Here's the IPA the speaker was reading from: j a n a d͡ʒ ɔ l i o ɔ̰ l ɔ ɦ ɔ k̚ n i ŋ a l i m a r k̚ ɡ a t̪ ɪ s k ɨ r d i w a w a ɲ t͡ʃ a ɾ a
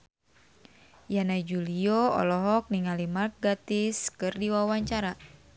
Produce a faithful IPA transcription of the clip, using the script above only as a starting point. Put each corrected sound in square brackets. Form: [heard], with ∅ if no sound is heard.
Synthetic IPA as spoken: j a n a d͡ʒ [u] l i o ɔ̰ l ɔ ɦ ɔ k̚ n i ŋ a l i m a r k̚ ɡ a t̪ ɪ s k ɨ r d i w a w a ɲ t͡ʃ a ɾ a